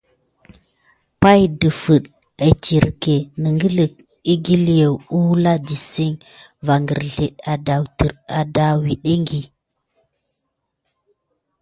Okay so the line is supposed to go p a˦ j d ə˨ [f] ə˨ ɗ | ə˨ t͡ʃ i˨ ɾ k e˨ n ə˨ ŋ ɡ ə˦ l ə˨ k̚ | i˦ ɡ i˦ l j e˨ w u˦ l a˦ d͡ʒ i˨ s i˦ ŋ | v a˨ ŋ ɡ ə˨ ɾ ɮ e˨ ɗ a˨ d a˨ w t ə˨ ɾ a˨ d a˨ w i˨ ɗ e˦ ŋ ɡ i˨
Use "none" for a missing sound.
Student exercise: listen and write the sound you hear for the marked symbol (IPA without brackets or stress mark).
f